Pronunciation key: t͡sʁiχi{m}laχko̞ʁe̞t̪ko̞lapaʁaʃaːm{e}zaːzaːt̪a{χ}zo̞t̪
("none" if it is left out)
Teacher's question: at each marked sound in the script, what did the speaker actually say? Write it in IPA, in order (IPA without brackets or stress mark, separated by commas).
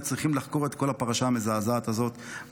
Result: m, e, none